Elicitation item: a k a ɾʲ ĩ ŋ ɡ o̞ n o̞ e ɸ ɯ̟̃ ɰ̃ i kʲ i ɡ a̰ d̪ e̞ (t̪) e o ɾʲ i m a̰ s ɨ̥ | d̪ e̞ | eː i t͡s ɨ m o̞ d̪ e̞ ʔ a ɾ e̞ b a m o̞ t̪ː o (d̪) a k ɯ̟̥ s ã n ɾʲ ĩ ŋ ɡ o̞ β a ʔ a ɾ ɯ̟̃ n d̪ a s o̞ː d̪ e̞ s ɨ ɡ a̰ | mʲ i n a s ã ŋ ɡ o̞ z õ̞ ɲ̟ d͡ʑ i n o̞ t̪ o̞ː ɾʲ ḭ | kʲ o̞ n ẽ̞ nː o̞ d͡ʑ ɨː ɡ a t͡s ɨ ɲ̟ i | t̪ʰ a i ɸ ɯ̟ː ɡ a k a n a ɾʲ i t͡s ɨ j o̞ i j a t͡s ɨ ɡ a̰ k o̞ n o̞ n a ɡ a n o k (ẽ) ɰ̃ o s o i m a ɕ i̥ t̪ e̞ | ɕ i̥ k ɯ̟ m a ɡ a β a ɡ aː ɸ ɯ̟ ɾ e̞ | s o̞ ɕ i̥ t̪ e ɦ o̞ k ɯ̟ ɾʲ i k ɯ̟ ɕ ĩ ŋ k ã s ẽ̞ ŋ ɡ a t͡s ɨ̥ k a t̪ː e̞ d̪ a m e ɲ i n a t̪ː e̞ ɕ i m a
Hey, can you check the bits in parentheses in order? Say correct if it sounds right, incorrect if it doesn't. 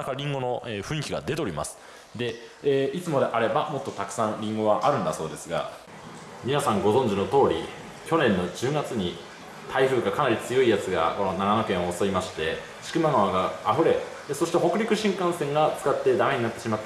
correct, incorrect: t̪, correct

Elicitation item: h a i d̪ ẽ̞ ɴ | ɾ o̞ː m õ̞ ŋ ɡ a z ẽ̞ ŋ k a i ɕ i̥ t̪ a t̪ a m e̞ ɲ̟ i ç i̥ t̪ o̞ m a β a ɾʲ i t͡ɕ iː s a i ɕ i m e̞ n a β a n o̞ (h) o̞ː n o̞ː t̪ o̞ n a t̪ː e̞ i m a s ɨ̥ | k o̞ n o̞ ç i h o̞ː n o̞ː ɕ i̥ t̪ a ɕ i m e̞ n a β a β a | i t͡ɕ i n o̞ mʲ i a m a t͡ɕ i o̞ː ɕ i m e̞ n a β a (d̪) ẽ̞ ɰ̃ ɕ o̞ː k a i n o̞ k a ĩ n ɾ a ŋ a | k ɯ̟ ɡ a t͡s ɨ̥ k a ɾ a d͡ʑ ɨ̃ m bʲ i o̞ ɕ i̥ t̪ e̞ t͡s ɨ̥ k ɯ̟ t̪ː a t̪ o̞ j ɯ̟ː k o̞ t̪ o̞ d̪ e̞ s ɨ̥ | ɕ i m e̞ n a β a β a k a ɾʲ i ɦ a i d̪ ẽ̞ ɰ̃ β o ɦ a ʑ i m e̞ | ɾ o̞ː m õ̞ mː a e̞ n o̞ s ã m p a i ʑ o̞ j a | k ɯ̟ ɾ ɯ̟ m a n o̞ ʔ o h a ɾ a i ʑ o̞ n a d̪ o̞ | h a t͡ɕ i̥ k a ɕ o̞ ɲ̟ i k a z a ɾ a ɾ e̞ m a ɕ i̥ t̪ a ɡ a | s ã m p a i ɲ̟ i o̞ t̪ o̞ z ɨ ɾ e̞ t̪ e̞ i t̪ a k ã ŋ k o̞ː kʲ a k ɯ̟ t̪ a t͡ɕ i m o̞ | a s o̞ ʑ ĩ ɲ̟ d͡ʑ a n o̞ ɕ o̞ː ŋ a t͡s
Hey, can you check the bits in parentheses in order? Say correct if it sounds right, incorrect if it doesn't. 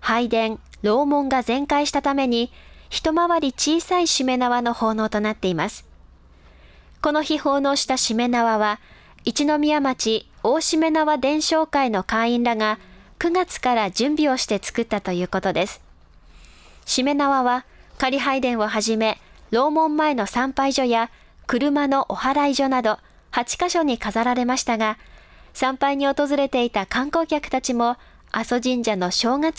correct, correct

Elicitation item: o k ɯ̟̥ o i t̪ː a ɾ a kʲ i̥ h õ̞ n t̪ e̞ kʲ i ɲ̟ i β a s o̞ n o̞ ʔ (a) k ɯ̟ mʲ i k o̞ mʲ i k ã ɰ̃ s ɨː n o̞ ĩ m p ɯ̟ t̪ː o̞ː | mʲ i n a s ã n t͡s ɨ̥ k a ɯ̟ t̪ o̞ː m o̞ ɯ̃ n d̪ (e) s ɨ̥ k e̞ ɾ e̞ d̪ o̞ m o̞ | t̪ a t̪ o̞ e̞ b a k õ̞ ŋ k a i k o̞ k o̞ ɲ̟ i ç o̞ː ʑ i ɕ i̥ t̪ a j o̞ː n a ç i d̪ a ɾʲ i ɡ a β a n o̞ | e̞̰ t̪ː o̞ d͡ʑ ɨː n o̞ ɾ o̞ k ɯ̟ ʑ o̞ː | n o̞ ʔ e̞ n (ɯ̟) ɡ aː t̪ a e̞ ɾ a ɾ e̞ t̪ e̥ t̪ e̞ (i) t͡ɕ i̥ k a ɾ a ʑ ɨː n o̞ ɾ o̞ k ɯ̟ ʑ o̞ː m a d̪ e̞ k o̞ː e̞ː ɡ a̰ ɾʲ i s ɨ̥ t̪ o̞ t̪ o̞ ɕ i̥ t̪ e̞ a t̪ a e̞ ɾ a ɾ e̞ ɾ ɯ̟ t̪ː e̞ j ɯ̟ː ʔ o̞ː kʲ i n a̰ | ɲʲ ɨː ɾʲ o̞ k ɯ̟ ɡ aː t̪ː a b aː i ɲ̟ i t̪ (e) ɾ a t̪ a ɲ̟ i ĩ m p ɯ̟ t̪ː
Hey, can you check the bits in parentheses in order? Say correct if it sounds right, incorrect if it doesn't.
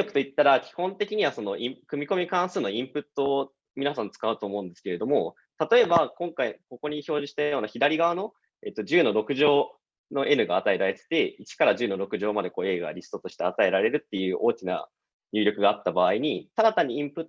incorrect: i, correct, correct, correct, incorrect: a

